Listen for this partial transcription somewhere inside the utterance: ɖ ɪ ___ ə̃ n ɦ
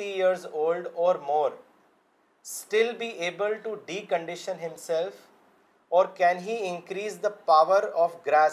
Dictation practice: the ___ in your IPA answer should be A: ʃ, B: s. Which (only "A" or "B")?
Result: A